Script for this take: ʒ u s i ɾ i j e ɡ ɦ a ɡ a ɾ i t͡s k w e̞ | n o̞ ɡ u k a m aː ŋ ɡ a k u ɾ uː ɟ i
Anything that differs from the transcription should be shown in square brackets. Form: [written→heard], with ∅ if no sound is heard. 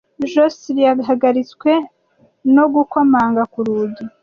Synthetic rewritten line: ʒ [u→o] s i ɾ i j [e→a] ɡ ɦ a ɡ a ɾ i t͡s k w e̞ | n o̞ ɡ u k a m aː ŋ ɡ a k u ɾ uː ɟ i